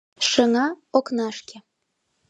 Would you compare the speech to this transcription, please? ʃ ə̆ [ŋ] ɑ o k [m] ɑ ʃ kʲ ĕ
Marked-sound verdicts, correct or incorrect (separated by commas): correct, incorrect